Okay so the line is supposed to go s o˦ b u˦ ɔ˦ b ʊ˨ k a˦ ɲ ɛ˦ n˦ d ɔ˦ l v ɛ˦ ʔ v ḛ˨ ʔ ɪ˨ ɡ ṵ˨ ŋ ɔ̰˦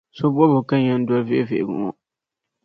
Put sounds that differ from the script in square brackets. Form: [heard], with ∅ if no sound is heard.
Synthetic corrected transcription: s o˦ b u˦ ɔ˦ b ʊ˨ k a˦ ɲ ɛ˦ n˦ d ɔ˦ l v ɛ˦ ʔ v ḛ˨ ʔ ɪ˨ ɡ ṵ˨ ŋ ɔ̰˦